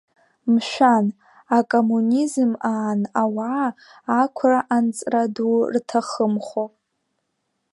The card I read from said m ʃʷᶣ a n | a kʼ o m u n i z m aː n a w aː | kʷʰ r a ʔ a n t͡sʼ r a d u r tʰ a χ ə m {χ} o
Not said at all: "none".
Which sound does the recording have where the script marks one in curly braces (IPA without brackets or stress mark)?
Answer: χ